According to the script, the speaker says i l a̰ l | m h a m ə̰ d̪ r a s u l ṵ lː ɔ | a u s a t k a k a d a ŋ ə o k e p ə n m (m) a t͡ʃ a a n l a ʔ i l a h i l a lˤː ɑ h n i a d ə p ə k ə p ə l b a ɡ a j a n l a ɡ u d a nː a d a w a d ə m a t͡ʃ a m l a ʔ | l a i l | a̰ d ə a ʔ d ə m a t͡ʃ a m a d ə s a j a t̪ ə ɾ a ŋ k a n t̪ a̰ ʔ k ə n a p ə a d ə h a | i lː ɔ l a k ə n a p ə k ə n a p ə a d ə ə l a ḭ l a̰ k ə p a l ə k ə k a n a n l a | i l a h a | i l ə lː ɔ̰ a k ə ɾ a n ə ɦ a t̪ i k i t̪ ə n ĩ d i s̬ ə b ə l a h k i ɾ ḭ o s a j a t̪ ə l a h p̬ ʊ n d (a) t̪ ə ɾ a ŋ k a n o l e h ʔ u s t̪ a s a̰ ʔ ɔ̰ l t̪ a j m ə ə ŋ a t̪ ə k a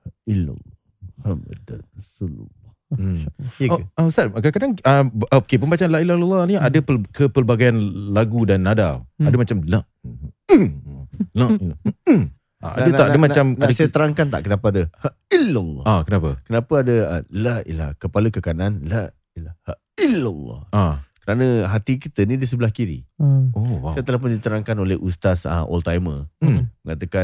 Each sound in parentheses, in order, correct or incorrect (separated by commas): incorrect, incorrect